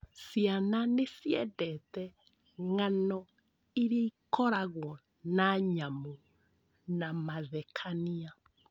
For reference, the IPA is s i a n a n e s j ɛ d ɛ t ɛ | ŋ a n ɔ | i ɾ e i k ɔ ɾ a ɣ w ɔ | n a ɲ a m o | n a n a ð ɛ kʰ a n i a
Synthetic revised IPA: s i a n a n e s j ɛ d ɛ t ɛ | ŋ a n ɔ | i ɾ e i k ɔ ɾ a ɣ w ɔ | n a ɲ a m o | n a m a ð ɛ kʰ a n i a